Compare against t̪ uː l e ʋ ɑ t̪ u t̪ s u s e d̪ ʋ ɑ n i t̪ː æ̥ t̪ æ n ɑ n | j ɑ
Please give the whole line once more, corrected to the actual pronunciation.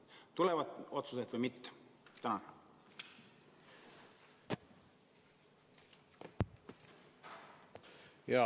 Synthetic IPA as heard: t̪ u l e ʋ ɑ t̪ o t̪ s u s e t̪ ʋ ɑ m i t̪ː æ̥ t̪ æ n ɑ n | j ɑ